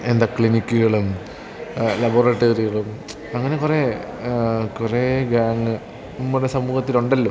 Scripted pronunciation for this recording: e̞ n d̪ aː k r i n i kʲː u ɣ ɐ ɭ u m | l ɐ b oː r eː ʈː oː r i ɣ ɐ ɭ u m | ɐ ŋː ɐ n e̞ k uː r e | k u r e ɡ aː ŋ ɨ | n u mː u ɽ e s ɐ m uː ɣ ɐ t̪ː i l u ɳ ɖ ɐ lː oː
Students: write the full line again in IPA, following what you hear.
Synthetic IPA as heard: e̞ n d̪ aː k ɭ i n i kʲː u ɣ ɐ ɭ u m | l ɐ b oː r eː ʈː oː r i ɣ ɐ ɭ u m | ɐ ŋː ɐ n e̞ k u r e | k u r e ɡ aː ŋ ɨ | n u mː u ɽ e s ɐ m uː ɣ ɐ t̪ː i l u ɳ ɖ ɐ lː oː